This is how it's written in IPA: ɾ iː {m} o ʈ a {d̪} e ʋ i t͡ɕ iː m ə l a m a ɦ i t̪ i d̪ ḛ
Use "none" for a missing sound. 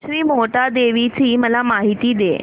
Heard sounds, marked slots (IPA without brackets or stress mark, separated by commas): m, d̪